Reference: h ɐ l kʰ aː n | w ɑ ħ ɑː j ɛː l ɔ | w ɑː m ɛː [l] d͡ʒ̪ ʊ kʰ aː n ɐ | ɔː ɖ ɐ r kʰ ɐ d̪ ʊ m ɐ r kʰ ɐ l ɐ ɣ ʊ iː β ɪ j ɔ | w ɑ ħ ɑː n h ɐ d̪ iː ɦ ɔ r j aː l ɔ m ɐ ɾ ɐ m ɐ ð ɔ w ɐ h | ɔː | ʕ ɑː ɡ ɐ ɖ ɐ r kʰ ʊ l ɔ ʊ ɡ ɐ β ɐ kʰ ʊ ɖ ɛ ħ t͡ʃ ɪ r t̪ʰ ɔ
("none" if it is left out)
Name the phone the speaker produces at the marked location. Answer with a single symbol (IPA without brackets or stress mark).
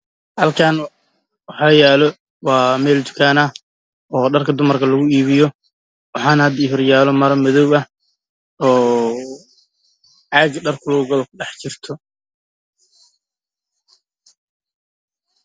l